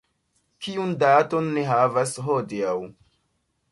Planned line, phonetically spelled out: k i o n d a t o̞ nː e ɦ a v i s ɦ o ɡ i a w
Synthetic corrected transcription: k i u n d a t o̞ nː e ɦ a v a s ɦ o d i a w